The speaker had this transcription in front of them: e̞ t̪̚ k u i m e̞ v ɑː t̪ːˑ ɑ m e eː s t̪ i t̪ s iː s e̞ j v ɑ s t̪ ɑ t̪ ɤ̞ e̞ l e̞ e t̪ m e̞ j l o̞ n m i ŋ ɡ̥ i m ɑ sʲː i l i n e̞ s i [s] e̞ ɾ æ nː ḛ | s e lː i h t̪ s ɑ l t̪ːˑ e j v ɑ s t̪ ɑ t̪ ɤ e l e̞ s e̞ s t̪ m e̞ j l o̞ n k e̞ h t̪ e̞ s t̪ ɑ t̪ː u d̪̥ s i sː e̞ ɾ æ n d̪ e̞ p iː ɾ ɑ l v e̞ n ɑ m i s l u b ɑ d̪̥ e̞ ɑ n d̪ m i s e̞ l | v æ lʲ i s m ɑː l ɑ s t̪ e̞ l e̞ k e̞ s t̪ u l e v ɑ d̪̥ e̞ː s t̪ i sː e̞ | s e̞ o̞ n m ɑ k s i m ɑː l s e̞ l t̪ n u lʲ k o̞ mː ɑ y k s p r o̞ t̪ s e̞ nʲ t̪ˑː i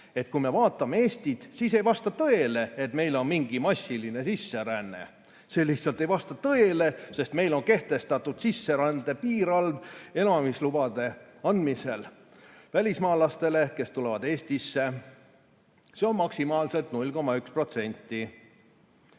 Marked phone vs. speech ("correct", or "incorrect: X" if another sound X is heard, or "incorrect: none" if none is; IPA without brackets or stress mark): incorrect: sː